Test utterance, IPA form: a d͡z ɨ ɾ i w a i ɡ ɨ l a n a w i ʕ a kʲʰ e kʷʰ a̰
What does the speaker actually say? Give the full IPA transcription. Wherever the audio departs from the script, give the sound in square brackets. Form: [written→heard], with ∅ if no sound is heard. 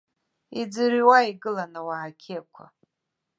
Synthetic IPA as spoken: [a→i] d͡z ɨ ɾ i w a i ɡ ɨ l a n a w [i→a] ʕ a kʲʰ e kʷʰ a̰